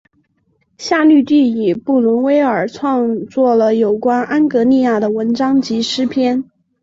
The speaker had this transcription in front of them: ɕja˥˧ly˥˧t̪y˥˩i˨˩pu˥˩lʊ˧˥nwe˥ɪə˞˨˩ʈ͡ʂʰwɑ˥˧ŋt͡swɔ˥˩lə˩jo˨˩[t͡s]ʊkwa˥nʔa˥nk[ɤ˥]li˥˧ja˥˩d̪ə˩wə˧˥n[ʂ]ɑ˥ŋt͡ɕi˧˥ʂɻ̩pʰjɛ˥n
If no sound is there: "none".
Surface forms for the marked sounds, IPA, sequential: none, ɤ˧˥, ʈ͡ʂ

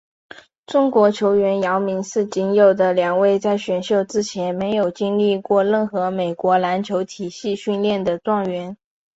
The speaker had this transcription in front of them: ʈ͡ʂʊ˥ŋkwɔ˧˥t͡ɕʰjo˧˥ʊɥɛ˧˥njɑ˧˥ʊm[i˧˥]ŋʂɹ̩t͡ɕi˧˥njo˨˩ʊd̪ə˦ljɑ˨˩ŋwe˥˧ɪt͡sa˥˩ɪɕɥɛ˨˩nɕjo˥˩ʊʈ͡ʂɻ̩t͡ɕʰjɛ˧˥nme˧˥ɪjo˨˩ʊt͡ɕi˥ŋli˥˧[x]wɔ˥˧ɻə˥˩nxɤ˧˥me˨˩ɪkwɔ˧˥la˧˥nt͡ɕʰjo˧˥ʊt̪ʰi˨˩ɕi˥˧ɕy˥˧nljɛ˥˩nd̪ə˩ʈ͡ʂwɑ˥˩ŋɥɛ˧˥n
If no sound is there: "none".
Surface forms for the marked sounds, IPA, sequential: i˧˥, k

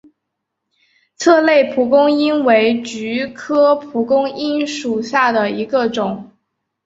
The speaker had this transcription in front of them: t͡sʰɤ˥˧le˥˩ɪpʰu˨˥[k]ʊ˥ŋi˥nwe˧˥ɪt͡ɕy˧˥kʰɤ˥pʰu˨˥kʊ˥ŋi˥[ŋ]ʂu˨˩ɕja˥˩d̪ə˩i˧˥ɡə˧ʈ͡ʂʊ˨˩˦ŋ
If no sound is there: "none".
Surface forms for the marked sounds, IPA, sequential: k, n

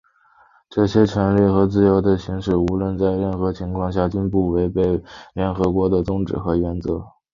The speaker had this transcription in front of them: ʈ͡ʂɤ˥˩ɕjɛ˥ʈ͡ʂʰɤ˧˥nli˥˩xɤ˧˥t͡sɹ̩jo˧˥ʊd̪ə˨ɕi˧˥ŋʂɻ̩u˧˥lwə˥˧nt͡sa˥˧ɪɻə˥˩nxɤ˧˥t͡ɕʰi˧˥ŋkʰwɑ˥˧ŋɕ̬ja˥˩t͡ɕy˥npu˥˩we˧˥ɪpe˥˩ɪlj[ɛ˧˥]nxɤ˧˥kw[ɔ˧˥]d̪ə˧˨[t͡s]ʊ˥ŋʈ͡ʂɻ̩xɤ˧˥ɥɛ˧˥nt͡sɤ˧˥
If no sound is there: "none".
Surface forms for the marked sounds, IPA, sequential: ɛ˧˥, ɔ˧˥, t͡s

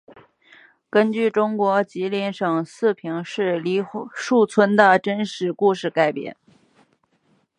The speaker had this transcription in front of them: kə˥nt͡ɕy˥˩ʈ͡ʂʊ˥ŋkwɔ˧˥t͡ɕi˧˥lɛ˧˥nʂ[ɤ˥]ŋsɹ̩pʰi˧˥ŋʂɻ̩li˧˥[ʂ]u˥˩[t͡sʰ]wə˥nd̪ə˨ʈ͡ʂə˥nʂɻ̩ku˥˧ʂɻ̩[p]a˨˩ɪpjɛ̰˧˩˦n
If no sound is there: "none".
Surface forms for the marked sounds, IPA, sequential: ɤ˨˩, ʂ, t͡sʰ, k

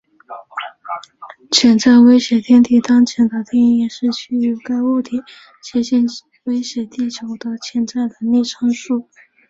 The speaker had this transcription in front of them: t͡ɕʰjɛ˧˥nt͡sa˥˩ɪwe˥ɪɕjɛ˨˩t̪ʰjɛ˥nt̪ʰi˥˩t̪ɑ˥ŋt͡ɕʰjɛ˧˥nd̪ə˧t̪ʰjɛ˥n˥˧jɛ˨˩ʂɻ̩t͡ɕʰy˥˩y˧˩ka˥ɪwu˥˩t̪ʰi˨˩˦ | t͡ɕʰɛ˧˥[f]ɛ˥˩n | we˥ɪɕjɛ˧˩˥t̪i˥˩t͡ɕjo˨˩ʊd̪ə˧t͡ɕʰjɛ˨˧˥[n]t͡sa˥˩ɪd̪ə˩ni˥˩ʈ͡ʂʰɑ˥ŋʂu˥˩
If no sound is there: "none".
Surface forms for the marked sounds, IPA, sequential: ɕ, n

